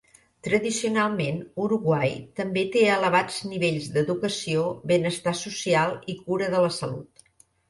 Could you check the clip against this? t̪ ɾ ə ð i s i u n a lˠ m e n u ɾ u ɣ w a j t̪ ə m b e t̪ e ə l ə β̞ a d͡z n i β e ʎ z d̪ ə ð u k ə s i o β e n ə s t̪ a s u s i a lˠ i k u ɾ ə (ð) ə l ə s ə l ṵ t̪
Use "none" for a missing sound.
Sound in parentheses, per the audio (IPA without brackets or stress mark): ð